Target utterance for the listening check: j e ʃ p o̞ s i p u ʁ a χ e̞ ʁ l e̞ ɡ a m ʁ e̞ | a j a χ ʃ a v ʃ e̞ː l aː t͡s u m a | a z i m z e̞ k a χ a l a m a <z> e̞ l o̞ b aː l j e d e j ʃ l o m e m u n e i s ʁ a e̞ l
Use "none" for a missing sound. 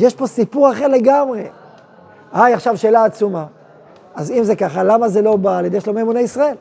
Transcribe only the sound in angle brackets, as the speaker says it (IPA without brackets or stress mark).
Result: z